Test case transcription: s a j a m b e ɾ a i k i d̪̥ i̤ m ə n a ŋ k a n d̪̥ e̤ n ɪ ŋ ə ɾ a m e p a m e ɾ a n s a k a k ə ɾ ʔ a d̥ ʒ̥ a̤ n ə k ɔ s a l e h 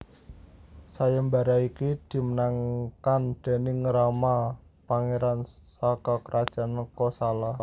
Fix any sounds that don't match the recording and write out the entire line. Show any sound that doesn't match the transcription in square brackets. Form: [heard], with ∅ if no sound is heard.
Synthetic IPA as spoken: s a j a m b [a] ɾ a i k i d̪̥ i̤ m ə n a ŋ k a n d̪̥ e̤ n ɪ ŋ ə ɾ a m [a] p a [ŋ] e ɾ a n s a k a k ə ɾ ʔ a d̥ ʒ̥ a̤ n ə k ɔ s a l [a] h